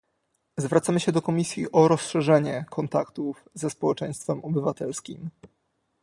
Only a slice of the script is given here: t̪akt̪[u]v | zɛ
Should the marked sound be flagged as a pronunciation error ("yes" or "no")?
no